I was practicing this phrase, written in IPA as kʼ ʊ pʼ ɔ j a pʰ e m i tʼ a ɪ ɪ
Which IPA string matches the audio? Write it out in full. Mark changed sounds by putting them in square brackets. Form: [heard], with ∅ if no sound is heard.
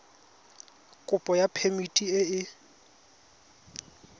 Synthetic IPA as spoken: kʼ ʊ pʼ ɔ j a pʰ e m i tʼ [i] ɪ ɪ